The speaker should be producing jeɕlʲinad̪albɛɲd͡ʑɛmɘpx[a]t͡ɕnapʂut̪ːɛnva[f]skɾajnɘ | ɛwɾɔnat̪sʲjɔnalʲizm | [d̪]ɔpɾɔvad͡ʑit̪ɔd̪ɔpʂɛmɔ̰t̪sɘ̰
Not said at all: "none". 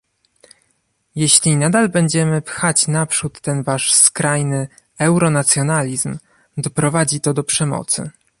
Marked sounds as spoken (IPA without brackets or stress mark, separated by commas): a, ʂ, d̪